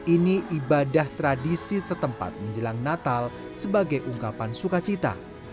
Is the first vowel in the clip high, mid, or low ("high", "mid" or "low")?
high